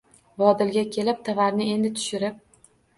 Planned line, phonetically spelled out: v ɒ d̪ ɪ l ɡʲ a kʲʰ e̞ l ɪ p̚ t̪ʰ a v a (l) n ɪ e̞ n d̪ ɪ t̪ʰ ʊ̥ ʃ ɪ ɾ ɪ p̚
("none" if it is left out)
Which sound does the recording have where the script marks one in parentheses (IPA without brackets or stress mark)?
ɾ